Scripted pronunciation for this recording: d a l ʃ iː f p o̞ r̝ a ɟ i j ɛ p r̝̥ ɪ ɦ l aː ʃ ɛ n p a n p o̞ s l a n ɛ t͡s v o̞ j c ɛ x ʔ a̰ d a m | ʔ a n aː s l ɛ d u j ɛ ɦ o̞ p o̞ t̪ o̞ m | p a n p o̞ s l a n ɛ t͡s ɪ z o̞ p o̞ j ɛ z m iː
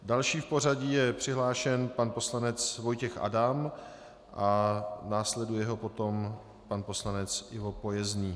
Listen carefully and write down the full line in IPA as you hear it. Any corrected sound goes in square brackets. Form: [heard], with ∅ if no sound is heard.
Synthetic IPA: d a l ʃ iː f p o̞ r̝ a ɟ i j ɛ p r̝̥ ɪ ɦ l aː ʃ ɛ n p a n p o̞ s l a n ɛ t͡s v o̞ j c ɛ x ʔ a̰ d a m | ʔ a n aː s l ɛ d u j ɛ ɦ o̞ p o̞ t̪ o̞ m | p a n p o̞ s l a n ɛ t͡s ɪ [v] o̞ p o̞ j ɛ z [ɲ] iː